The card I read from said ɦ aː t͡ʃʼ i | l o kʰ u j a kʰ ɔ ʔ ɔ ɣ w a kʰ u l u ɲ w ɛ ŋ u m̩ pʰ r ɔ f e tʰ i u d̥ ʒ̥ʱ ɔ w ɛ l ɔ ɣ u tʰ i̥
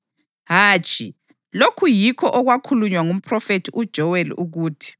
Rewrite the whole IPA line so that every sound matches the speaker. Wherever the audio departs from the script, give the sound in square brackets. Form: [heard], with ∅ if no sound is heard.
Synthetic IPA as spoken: ɦ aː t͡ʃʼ i | l o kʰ u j [i] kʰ ɔ ʔ ɔ ɣ w a kʰ u l u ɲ w [a] ŋ u m̩ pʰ r ɔ f e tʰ i u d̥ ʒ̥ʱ ɔ w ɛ l [u] ɣ [uː] tʰ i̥